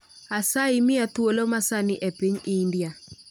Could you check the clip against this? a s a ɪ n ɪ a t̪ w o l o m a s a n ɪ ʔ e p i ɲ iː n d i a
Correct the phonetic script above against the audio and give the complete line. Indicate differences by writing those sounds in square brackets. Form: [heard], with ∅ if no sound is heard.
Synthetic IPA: a s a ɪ [m] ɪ a t̪ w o l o m a s a n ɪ ʔ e p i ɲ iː n d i a